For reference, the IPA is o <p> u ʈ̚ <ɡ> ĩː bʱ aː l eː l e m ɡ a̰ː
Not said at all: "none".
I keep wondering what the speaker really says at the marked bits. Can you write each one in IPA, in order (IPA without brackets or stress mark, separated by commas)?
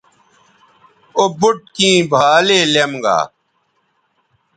b, k